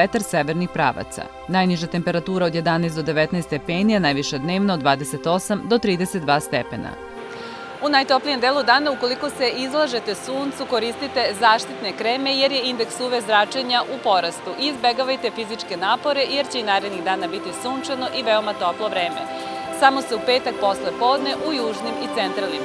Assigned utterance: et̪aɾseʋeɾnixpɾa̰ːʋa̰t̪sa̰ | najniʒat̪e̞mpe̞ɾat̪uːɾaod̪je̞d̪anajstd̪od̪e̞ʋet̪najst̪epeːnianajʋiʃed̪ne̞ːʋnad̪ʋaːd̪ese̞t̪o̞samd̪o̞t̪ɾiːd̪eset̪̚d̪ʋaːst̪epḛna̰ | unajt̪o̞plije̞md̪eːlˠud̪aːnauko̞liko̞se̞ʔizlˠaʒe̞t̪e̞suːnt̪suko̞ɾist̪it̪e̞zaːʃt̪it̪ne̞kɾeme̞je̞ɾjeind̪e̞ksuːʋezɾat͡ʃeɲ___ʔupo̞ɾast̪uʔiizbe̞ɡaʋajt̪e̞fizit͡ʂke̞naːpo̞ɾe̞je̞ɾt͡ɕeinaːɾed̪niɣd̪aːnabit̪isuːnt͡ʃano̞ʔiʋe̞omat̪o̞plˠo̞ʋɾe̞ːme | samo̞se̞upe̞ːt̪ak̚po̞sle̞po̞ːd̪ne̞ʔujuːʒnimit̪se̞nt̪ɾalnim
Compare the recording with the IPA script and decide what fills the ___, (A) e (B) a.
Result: B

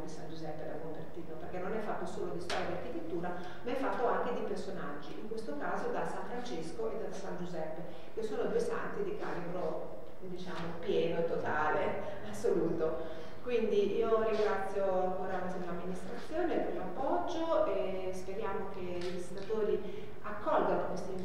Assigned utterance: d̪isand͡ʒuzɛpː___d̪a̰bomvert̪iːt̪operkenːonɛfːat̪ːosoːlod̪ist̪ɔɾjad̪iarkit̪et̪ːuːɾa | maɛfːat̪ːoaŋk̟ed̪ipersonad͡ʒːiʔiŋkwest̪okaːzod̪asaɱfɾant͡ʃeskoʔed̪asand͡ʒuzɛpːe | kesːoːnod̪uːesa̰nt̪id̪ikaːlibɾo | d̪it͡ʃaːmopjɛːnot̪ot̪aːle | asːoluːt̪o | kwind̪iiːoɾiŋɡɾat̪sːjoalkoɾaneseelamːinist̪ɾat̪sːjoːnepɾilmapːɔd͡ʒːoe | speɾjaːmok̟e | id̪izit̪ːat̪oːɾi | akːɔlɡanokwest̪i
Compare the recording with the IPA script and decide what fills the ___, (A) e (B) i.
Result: A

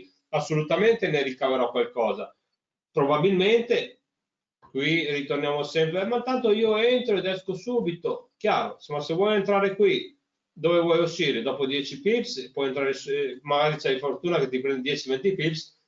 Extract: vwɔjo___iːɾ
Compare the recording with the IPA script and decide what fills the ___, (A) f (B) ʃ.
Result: B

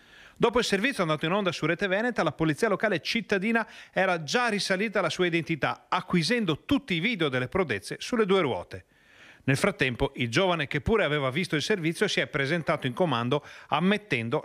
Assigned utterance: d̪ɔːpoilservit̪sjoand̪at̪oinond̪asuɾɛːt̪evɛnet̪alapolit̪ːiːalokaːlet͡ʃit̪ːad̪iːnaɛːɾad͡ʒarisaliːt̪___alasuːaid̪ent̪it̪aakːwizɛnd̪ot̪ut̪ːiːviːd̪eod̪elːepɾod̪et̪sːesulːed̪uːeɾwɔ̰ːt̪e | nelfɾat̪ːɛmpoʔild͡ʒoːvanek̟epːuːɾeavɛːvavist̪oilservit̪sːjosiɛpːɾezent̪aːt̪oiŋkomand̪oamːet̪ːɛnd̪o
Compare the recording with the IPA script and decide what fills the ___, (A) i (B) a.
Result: B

